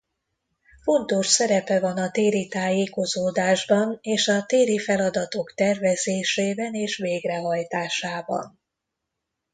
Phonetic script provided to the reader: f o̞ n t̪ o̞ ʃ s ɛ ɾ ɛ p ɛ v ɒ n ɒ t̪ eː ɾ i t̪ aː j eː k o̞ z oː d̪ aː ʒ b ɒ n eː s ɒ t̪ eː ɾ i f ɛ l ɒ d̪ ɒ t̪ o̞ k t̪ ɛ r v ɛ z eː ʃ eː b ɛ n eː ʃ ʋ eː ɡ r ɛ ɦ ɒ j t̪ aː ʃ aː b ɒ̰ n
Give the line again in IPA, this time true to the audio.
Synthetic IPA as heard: f o̞ n t̪ o̞ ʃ s ɛ ɾ ɛ p ɛ v ɒ n ɒ t̪ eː ɾ i t̪ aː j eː k o̞ z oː d̪ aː ʒ b ɒ n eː ʃ ɒ t̪ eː ɾ i f ɛ l ɒ d̪ ɒ t̪ o̞ k t̪ ɛ r v ɛ z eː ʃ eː b ɛ n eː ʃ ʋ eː ɡ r ɛ ɦ ɒ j t̪ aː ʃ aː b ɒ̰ n